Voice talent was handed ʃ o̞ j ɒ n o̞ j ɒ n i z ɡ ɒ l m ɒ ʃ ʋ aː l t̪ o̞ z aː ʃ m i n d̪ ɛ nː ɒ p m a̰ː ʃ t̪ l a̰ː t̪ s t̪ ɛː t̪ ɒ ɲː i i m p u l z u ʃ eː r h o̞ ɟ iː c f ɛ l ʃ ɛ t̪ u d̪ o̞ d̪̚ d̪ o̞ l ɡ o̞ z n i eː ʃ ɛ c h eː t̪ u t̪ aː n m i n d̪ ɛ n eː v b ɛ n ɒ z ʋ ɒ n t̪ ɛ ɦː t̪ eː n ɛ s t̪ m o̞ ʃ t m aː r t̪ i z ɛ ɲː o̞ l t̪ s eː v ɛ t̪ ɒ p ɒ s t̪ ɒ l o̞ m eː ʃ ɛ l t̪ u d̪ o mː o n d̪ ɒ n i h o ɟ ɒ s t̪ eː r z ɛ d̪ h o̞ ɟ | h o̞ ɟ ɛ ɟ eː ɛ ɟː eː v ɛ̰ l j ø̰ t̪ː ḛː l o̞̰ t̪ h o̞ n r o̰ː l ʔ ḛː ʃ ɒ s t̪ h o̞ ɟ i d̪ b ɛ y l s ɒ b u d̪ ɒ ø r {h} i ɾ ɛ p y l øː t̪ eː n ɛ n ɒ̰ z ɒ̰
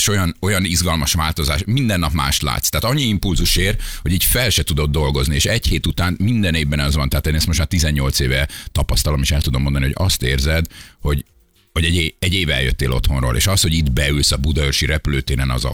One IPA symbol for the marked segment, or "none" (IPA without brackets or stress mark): ʃ